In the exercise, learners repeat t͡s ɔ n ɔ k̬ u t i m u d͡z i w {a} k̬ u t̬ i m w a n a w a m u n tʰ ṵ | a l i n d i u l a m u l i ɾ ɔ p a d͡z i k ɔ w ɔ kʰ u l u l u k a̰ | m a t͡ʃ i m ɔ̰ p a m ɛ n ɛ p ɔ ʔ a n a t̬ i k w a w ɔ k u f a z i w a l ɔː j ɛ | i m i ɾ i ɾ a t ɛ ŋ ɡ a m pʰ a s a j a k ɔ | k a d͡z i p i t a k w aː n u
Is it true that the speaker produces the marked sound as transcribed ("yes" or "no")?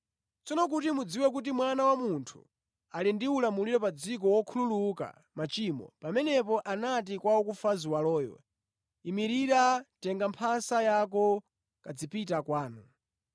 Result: no